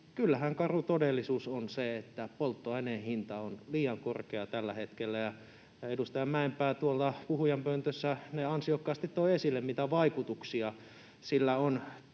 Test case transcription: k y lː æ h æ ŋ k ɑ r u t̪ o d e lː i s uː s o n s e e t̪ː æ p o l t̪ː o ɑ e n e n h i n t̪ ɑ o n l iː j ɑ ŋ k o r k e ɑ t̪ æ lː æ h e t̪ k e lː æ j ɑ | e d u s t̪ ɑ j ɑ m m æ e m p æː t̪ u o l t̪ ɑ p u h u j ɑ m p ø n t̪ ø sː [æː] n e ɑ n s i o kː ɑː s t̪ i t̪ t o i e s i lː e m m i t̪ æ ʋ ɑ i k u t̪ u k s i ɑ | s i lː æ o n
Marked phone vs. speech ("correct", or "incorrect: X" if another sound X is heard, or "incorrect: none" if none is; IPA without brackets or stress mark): incorrect: æ